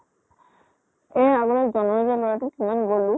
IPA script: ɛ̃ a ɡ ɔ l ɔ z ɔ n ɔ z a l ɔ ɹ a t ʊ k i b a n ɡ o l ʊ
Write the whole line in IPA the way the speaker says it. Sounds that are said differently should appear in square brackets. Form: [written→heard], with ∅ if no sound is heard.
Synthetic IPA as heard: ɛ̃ a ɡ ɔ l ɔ z ɔ n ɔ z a l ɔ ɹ a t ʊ k i [b→m] a n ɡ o l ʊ